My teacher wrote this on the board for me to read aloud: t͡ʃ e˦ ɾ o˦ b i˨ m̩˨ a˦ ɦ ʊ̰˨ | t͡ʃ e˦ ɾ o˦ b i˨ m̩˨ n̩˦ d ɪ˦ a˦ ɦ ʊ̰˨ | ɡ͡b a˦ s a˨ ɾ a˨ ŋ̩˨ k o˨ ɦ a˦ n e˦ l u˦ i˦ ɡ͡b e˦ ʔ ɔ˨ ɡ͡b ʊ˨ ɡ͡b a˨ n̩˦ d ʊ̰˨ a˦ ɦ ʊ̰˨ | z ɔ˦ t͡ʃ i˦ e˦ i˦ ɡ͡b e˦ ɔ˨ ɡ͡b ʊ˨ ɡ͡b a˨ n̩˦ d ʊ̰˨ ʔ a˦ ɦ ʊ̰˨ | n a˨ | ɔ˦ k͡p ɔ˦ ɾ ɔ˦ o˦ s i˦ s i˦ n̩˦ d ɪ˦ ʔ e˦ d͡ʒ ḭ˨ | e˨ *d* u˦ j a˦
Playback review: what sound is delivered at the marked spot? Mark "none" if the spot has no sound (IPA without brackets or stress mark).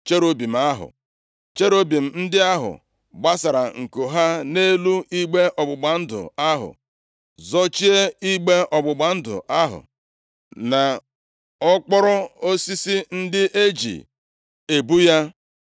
b